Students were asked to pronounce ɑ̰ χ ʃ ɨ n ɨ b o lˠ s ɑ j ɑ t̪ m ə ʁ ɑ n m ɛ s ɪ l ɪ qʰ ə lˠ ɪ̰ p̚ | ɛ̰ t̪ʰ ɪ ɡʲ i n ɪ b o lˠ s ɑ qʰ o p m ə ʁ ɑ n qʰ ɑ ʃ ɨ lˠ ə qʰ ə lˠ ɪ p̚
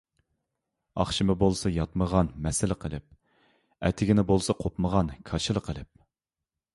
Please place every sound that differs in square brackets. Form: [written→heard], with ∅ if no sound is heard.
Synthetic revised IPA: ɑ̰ χ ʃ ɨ [n→m] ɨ b o lˠ s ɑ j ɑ t̪ m ə ʁ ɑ n m ɛ s ɪ l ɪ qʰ ə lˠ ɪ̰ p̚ | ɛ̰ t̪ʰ ɪ ɡʲ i n ɪ b o lˠ s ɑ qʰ o p m ə ʁ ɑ n [qʰ→kʰ] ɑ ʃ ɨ lˠ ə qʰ ə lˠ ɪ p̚